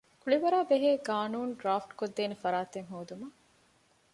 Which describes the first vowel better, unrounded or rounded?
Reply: rounded